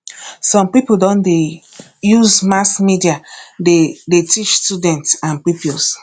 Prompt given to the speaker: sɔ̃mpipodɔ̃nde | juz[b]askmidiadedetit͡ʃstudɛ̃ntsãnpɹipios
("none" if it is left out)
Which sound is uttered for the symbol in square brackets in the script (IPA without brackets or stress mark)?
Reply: m